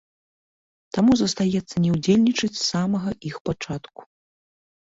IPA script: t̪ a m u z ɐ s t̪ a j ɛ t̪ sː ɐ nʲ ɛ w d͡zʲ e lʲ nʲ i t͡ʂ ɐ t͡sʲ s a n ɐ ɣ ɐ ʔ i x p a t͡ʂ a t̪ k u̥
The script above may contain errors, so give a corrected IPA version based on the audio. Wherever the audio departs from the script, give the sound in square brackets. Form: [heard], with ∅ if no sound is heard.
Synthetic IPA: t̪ a m u z ɐ s t̪ a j ɛ t̪ sː ɐ nʲ ɛ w d͡zʲ e lʲ nʲ i t͡ʂ ɐ t͡sʲ s a [m] ɐ ɣ ɐ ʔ i x p a t͡ʂ a t̪ k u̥